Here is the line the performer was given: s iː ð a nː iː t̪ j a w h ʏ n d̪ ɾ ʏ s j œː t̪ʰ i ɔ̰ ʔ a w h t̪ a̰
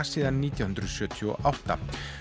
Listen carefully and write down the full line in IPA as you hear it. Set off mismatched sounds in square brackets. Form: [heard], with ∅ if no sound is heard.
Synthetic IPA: s iː ð a nː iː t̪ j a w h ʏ n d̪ ɾ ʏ s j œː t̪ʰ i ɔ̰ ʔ a w h t̪ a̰